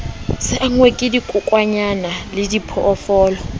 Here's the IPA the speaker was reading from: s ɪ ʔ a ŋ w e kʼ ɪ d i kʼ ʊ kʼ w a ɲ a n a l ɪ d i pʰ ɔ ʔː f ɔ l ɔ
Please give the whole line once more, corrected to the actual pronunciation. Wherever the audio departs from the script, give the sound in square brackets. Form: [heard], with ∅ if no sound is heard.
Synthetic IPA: s ɪ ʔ a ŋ w e kʼ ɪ d i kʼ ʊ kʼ w a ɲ a n a l ɪ d i pʰ ɔ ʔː f [ɔː] l ɔ